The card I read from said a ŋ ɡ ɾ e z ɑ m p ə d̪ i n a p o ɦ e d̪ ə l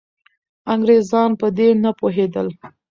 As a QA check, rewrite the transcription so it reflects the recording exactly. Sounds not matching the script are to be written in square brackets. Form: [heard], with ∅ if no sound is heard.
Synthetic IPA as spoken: a ŋ ɡ ɾ e z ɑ [n] p ə d̪ [e] n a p o ɦ e d̪ ə l